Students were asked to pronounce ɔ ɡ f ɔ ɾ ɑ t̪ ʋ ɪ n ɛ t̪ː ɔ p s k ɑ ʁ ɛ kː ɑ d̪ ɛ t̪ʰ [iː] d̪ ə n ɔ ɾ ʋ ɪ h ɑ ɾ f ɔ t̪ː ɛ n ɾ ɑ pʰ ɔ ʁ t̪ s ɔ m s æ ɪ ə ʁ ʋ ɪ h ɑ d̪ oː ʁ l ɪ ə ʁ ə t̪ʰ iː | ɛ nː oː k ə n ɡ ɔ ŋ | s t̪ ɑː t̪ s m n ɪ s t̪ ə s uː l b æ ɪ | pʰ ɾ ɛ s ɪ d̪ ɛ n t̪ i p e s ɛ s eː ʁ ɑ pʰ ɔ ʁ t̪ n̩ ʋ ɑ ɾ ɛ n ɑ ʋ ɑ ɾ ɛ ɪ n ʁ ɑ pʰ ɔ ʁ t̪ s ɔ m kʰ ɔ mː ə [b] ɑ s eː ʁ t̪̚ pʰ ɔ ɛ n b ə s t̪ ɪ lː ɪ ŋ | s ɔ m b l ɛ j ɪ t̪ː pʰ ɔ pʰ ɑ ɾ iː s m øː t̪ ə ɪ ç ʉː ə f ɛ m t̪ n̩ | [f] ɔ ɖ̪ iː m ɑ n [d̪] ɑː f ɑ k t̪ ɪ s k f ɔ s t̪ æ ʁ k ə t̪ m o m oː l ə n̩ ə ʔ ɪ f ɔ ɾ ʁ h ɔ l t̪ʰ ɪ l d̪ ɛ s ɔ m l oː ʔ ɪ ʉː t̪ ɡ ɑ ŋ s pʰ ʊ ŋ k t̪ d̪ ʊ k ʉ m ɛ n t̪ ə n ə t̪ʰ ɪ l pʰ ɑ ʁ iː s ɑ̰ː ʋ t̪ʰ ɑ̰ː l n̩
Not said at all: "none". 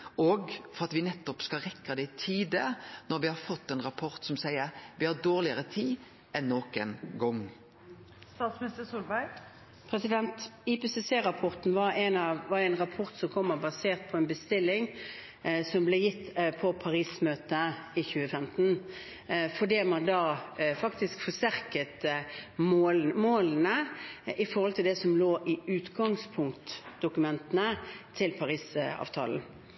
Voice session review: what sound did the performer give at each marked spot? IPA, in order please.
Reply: iː, b, f, d̪

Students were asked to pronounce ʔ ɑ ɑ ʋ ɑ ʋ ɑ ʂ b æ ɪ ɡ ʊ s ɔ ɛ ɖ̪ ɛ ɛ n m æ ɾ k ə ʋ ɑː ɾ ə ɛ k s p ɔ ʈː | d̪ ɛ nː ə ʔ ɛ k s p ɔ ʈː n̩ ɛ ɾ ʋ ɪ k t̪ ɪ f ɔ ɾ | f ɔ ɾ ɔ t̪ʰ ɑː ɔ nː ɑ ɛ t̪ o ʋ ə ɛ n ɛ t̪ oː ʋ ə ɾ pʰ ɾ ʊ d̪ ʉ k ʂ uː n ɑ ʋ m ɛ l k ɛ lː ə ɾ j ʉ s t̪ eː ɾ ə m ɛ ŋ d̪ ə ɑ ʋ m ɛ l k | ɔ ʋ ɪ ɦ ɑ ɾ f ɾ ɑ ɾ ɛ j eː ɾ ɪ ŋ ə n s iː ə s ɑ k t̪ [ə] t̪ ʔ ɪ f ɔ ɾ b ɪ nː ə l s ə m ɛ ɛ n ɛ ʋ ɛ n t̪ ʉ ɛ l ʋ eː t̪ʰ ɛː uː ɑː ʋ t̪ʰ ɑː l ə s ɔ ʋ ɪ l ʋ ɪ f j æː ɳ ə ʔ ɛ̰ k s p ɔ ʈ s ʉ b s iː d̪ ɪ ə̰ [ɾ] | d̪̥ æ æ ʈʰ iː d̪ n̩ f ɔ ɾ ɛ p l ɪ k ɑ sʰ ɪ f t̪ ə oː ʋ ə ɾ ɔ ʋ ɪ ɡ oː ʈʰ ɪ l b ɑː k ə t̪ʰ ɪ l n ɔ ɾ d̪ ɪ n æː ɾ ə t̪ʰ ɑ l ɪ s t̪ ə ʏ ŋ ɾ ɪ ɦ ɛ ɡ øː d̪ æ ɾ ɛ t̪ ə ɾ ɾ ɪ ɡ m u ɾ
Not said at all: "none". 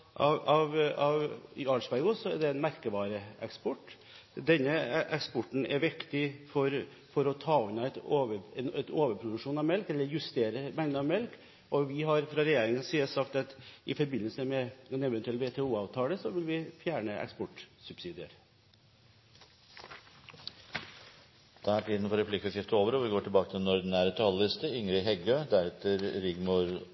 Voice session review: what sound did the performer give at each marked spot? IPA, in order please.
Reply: ɑ, ɾ

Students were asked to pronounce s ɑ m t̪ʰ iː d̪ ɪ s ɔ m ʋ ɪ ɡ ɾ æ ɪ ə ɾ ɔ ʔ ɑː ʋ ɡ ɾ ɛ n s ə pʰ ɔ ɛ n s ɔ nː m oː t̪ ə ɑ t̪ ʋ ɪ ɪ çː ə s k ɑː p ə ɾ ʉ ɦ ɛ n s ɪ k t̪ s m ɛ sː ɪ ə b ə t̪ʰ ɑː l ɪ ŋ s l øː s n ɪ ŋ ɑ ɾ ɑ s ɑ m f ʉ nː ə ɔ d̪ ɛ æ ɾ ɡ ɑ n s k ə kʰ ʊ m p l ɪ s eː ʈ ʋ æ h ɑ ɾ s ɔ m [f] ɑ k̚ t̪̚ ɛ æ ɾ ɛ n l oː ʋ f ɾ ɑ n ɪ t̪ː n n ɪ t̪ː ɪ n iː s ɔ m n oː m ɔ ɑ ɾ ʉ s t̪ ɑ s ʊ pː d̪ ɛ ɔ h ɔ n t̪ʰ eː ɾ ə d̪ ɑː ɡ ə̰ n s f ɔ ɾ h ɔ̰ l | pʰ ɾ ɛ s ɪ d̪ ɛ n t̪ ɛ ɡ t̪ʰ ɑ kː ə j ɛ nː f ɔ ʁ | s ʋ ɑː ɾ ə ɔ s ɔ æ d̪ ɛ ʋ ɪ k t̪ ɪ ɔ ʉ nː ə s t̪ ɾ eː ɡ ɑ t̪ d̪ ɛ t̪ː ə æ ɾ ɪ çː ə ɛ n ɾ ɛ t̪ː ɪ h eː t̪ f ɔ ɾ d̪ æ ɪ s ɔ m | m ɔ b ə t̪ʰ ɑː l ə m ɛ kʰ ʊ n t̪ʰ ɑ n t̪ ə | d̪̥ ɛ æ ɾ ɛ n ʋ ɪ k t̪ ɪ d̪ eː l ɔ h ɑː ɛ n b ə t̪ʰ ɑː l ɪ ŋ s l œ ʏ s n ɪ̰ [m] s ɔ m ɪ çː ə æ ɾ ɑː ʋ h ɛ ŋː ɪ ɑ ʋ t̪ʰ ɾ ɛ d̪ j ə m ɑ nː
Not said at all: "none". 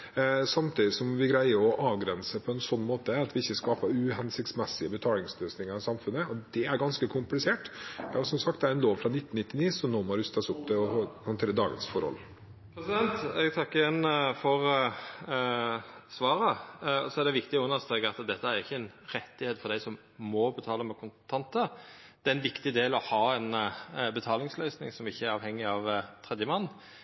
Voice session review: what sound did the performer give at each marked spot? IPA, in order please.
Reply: s, ŋ

